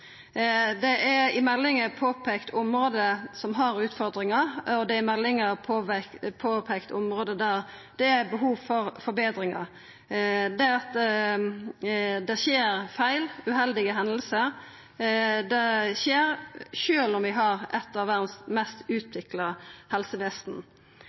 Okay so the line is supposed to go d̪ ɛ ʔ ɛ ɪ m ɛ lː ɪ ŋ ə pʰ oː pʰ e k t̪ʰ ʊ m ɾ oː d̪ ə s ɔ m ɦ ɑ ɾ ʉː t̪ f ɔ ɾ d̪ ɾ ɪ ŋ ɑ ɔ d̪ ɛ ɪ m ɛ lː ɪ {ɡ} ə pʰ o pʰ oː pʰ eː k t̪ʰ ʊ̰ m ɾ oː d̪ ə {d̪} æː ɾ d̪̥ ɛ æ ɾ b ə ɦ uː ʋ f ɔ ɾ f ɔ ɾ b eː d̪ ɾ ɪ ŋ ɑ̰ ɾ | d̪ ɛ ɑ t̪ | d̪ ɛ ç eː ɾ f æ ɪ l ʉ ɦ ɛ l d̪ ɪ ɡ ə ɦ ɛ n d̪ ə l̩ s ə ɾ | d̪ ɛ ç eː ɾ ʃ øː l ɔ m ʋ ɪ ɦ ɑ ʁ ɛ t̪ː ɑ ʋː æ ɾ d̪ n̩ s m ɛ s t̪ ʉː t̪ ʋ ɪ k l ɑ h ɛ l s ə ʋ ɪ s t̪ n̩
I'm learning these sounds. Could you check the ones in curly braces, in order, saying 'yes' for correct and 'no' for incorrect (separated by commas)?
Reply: no, yes